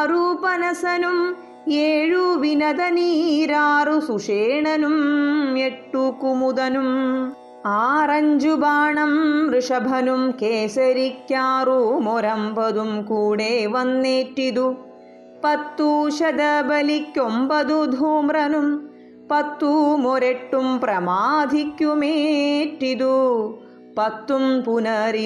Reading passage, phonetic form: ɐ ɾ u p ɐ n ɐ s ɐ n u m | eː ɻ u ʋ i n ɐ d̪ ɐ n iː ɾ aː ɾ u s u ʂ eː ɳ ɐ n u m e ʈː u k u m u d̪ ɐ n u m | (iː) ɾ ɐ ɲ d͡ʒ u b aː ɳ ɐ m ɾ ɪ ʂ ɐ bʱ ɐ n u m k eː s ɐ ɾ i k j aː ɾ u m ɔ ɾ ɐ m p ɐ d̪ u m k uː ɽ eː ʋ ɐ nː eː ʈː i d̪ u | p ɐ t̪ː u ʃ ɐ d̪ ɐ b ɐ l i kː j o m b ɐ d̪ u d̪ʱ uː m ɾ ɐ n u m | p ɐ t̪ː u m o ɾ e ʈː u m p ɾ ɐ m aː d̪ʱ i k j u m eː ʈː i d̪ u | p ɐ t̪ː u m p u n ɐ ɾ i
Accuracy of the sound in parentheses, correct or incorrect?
incorrect